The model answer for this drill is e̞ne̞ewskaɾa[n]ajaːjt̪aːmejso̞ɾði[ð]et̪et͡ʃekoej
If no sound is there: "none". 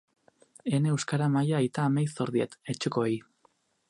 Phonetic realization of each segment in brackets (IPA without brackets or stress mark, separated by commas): m, none